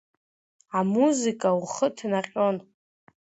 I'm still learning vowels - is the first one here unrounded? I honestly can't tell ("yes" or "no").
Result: yes